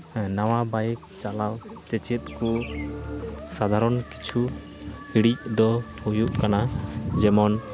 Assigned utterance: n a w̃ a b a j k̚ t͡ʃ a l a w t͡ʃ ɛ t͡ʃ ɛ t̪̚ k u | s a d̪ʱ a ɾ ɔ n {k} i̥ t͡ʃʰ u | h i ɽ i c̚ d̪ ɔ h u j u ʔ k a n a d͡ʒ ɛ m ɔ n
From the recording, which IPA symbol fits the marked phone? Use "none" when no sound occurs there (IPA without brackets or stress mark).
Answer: k